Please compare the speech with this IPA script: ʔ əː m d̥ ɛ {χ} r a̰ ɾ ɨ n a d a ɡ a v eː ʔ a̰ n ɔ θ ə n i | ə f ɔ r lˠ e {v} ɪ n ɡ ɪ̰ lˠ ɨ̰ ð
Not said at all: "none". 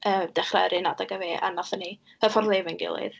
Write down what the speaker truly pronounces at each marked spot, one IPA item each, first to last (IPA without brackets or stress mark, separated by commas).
χ, v